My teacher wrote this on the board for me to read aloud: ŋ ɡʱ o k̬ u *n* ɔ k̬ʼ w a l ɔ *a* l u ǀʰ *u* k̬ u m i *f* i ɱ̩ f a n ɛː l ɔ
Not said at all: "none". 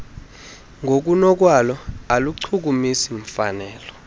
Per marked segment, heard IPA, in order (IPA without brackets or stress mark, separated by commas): n, a, u, s